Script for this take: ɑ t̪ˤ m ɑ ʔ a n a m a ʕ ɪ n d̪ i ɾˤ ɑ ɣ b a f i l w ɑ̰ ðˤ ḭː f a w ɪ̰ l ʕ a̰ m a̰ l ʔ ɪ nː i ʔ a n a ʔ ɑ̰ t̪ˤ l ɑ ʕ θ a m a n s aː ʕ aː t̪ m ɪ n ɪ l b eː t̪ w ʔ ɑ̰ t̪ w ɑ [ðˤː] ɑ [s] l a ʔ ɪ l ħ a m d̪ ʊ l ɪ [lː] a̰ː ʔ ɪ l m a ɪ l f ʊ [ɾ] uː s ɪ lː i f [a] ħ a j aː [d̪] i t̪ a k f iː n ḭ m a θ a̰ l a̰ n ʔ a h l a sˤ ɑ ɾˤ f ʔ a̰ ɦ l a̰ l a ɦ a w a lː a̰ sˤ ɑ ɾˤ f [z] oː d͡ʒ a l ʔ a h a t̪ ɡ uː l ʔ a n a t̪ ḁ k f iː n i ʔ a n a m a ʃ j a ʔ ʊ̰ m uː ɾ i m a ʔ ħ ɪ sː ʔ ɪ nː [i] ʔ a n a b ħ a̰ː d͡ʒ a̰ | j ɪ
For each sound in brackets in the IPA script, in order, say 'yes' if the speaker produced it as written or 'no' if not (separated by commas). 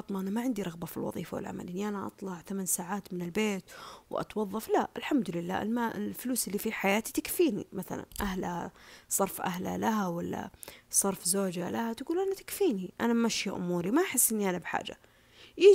yes, no, yes, no, no, no, yes, yes